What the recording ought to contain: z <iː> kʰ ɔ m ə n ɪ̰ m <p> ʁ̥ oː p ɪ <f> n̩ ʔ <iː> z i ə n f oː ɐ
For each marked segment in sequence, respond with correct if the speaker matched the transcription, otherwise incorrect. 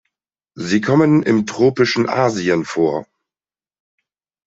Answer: correct, incorrect: t, incorrect: ʃ, incorrect: aː

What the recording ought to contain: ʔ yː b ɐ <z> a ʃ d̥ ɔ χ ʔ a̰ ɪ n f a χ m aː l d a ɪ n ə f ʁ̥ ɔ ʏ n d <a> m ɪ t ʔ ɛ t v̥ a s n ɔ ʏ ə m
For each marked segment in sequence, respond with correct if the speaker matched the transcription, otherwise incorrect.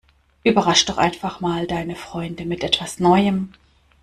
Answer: incorrect: ʁ, incorrect: ə

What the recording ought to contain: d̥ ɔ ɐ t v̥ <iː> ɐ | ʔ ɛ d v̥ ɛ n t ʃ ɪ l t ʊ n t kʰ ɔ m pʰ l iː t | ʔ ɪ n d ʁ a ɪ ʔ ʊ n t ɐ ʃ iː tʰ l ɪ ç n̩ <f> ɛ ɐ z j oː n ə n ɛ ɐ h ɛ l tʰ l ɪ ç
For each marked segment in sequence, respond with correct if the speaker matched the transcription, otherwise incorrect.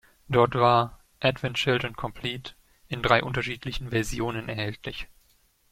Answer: incorrect: aː, incorrect: v

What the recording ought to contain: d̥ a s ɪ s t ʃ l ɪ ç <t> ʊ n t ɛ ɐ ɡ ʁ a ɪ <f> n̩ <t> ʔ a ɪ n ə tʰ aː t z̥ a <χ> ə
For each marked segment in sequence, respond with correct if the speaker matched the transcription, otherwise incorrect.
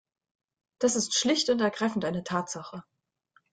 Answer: correct, correct, correct, correct

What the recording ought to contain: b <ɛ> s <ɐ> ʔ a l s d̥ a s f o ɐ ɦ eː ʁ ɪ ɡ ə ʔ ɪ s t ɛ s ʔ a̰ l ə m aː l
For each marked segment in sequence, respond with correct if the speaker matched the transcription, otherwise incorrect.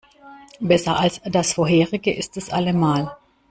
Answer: correct, correct

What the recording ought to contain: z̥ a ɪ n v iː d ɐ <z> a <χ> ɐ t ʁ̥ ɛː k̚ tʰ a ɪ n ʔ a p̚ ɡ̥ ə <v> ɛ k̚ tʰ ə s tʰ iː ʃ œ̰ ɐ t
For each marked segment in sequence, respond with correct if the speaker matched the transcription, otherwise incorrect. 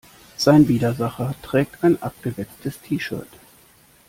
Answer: correct, correct, correct

